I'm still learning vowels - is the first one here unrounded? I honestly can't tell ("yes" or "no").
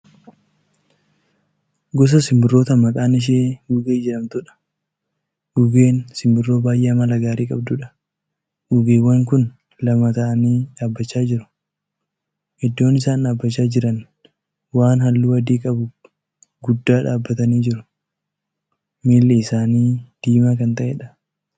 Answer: no